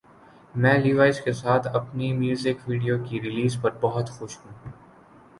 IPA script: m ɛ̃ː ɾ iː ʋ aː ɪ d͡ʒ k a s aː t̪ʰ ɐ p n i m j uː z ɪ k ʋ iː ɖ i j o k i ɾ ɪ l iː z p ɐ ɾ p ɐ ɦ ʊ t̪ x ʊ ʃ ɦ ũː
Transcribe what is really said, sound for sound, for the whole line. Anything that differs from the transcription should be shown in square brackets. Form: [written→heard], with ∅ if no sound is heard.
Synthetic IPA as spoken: m ɛ̃ː [ɾ→l] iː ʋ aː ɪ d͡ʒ k [a→e] s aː t̪ʰ ɐ p n i m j uː z ɪ k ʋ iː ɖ i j o k i ɾ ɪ l iː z p ɐ ɾ [p→b] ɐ ɦ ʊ t̪ x ʊ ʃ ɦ ũː